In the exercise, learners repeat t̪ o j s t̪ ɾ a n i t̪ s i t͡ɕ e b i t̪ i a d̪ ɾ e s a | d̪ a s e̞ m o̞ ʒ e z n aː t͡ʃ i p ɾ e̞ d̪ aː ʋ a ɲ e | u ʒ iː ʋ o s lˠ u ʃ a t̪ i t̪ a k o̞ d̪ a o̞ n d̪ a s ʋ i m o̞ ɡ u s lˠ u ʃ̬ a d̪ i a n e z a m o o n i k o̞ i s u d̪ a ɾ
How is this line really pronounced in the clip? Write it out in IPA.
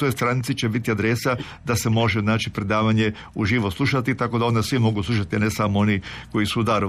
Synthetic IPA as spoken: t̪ o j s t̪ ɾ a n i t̪ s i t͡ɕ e b i t̪ i a d̪ ɾ e s a | d̪ a s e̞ m o̞ ʒ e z n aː t͡ʃ i p ɾ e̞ d̪ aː ʋ a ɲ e | u ʒ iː ʋ o s lˠ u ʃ a t̪ i t̪ a k o̞ d̪ a o̞ n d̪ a s ʋ i m o̞ ɡ u s lˠ u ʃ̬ a t̪ i a n e s a m o o n i k o̞ i s u d̪ a ɾ